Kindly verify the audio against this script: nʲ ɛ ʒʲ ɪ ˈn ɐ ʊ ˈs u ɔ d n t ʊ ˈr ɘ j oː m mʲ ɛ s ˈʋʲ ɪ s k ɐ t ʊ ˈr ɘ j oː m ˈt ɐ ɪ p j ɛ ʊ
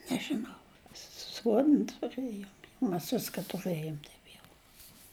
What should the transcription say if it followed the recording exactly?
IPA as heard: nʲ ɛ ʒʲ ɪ ˈn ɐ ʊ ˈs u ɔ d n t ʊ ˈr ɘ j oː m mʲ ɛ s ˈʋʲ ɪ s k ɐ t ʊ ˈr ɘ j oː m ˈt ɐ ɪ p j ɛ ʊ